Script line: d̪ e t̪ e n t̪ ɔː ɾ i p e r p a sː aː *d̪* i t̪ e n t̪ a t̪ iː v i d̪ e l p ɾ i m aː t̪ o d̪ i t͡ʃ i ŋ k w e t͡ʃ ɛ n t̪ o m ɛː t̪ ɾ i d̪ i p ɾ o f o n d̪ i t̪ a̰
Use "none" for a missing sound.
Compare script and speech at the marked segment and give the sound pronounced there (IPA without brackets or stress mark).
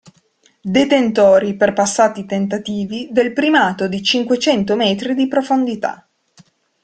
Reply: t̪